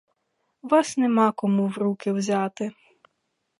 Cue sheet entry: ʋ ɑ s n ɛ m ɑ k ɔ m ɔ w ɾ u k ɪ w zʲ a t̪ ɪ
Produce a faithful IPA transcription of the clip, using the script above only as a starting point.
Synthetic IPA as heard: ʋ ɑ s n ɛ m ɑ k ɔ m u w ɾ u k ɪ w zʲ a t̪ ɪ